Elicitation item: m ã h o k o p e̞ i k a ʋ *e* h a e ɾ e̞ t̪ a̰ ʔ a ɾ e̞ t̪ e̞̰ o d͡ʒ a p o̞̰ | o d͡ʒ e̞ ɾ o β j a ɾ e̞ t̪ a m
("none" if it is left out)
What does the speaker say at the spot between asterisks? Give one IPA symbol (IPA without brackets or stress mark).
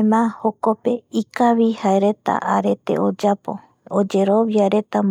i